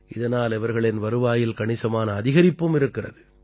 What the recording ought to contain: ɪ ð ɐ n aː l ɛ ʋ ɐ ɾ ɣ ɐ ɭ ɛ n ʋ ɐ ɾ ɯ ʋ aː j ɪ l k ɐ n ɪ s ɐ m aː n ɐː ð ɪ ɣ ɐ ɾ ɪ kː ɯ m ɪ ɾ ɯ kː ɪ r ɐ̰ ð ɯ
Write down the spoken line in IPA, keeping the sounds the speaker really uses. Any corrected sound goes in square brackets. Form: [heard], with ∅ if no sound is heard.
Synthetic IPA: ɪ ð ɐ n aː l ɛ ʋ ɐ ɾ ɣ ɐ ɭ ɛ n ʋ ɐ ɾ ɯ ʋ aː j ɪ l k ɐ [ɳ] ɪ s ɐ m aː n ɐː ð ɪ ɣ ɐ ɾ ɪ [pː] ɯ m ɪ ɾ ɯ kː ɪ r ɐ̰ ð ɯ

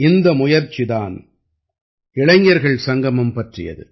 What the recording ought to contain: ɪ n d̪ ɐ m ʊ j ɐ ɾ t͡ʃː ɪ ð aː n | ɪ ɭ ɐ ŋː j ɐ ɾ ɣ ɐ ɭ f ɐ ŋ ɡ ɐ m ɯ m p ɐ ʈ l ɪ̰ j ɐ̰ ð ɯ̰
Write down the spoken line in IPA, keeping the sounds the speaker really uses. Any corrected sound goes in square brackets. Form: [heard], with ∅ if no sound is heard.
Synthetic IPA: ɪ n d̪ ɐ m ʊ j ɐ ɾ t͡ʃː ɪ ð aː n | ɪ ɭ ɐ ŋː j ɐ ɾ ɣ ɐ ɭ [s] ɐ ŋ ɡ ɐ m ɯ m p ɐ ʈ [r] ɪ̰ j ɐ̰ ð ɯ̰

